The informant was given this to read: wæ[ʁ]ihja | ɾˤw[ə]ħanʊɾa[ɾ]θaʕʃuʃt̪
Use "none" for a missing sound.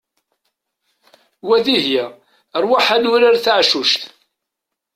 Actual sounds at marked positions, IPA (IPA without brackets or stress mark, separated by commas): ð, a, ɾ